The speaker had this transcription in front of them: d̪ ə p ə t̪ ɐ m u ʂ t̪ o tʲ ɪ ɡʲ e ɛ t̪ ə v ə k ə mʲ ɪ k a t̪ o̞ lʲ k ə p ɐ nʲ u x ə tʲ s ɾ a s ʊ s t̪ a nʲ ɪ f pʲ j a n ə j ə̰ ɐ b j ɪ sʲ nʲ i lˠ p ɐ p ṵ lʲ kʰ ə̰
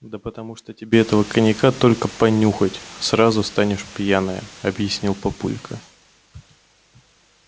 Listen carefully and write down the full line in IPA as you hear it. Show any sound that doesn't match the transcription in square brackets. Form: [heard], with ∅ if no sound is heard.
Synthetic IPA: d̪ ə p ə t̪ ɐ m u ʂ t̪ o tʲ ɪ [bʲ] e ɛ t̪ ə v ə k ə [nʲ] ɪ k a t̪ o̞ lʲ k ə p ɐ nʲ u x ə tʲ s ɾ a [z] ʊ s t̪ a nʲ ɪ [ʂ] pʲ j a n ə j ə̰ ɐ b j ɪ sʲ nʲ i lˠ p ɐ p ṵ lʲ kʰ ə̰